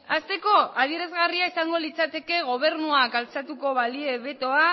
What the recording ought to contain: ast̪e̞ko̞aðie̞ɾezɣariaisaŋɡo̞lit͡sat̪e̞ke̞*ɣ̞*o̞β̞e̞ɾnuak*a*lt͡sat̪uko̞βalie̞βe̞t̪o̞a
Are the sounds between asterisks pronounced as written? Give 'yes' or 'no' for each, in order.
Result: yes, yes

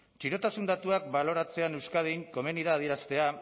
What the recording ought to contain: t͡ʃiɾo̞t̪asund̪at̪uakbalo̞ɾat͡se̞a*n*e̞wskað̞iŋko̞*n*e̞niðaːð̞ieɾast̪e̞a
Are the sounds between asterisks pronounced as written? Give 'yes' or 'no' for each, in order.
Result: yes, no

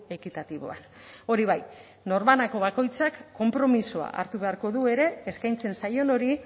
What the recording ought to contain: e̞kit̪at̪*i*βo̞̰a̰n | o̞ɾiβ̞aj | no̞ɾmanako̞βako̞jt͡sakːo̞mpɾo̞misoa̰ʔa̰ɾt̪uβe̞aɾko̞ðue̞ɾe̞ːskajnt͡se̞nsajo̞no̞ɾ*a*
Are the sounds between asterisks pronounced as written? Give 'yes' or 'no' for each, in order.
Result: yes, no

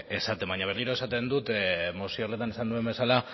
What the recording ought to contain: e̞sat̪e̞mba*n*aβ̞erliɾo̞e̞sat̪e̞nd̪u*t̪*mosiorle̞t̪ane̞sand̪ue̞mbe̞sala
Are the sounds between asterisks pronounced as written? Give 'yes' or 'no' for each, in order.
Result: no, yes

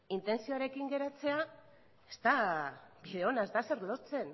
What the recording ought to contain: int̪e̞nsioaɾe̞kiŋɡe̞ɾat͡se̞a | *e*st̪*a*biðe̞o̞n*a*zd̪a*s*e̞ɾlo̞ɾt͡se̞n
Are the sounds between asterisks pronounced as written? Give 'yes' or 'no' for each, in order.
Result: yes, yes, yes, yes

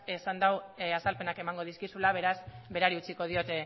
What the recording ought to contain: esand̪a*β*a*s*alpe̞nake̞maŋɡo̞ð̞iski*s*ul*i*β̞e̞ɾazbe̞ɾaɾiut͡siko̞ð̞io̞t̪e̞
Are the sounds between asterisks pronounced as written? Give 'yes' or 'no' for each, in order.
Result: no, yes, yes, no

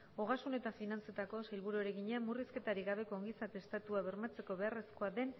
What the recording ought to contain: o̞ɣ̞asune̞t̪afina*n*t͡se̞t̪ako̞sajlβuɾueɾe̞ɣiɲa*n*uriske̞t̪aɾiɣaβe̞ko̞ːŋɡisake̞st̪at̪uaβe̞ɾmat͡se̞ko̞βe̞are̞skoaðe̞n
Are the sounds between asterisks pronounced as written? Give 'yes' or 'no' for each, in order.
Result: yes, no

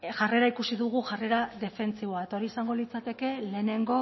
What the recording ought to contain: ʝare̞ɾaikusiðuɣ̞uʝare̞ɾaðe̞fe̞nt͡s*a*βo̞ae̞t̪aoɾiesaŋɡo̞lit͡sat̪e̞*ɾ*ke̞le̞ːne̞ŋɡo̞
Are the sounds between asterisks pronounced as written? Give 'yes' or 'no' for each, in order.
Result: no, no

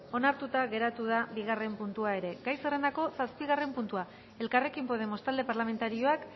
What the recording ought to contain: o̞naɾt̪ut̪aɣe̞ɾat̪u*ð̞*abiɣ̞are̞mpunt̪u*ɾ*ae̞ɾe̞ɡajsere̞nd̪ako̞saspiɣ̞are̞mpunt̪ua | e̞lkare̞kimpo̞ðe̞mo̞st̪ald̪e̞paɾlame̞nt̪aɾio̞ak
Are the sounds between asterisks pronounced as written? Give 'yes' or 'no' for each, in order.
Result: yes, no

